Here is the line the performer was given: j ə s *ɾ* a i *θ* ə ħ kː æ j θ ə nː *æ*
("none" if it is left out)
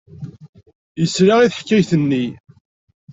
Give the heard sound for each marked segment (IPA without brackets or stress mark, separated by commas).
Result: ɾ, θ, i